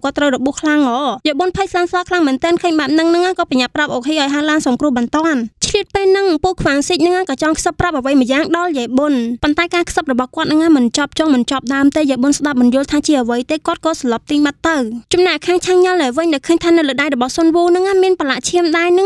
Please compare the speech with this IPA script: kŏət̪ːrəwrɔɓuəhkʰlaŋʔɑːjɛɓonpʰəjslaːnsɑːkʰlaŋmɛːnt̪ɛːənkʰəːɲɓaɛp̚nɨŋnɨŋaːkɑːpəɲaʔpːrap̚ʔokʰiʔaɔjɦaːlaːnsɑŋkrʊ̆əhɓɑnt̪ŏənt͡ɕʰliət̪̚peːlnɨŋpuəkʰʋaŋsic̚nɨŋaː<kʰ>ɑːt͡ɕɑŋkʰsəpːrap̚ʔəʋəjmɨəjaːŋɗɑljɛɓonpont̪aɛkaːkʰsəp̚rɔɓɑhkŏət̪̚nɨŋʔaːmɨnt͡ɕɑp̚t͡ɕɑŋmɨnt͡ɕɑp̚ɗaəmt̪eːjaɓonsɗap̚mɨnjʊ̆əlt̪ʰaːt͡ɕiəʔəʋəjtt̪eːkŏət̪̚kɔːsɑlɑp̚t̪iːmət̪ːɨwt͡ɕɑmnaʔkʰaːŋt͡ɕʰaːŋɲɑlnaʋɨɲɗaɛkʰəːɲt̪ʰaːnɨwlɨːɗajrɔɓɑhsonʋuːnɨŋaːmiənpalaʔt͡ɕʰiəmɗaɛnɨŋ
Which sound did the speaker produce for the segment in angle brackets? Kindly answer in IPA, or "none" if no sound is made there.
k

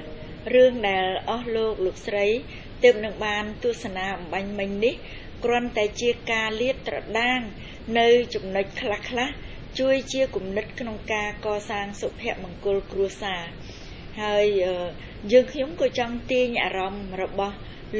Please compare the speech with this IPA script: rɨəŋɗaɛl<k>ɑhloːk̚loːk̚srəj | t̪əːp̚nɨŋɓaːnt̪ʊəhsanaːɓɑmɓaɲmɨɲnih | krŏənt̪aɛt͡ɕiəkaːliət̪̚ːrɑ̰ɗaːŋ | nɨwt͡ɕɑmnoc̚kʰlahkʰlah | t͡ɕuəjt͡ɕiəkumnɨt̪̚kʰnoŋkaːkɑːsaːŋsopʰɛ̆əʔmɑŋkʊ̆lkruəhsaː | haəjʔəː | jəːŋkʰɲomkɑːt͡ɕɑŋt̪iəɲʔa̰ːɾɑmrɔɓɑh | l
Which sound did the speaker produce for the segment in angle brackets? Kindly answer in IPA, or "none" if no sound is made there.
ʔ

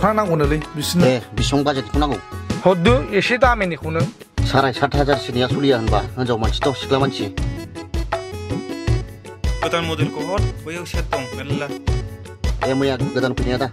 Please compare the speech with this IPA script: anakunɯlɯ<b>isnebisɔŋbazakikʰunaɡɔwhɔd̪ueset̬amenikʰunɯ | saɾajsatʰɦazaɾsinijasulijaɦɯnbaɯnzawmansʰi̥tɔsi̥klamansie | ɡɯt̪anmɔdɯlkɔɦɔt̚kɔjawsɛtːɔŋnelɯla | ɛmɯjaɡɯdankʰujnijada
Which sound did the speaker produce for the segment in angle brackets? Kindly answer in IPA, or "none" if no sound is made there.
b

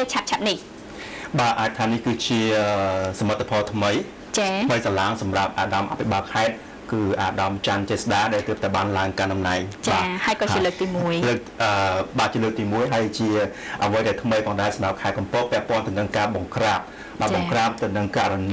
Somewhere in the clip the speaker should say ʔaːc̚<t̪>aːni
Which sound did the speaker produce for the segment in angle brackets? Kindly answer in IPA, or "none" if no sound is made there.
t̪ʰ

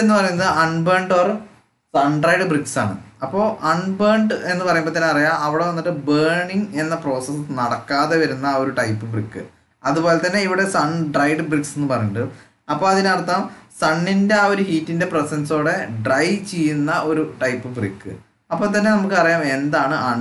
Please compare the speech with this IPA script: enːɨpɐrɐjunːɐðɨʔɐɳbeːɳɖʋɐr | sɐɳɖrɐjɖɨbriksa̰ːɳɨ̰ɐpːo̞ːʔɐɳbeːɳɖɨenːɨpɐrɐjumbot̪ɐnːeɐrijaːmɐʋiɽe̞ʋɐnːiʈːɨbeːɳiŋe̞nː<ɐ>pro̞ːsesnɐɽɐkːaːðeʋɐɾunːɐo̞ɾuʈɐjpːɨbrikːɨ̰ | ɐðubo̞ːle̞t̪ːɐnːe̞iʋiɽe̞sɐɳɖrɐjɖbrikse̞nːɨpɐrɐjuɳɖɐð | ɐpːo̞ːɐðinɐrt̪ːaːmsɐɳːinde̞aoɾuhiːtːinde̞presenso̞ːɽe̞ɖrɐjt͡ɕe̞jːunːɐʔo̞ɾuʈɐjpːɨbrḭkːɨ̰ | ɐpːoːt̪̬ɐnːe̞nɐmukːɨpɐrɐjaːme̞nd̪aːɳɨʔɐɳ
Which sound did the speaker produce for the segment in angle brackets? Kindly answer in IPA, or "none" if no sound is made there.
ɐ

